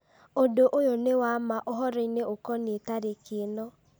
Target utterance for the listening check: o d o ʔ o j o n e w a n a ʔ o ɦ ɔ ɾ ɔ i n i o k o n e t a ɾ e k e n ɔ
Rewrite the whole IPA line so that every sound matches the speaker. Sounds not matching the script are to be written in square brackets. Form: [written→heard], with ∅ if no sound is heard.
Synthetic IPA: o d o ʔ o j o n e w a [n→m] a ʔ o ɦ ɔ ɾ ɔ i n [i→e] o k [o→ɔ] n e t a ɾ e k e n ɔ